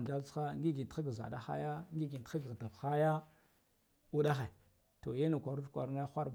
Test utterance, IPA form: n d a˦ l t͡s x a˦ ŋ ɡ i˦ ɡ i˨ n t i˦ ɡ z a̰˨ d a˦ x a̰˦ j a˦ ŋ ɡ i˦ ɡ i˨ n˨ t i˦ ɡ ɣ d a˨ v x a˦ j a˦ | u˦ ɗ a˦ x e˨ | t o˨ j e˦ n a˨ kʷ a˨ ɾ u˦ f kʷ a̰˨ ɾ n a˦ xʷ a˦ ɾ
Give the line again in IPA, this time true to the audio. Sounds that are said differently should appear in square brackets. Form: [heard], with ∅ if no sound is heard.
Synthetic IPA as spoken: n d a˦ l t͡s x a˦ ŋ ɡ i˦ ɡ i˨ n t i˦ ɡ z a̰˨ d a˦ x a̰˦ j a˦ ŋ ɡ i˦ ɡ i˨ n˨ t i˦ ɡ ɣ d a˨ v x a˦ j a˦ | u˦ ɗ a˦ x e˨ | t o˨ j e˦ n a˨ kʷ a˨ ɾ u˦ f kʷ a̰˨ ɾ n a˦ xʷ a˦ ɾ